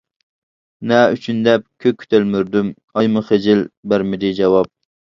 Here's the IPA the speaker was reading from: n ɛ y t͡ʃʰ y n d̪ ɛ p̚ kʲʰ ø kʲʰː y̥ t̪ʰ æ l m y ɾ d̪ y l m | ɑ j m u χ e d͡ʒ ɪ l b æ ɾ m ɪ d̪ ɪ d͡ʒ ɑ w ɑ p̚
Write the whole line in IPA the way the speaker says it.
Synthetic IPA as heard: n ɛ y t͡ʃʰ y n d̪ ɛ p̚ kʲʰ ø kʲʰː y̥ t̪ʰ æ l m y ɾ d̪ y m | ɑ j m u χ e d͡ʒ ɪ l b æ ɾ m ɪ d̪ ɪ d͡ʒ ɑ w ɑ p̚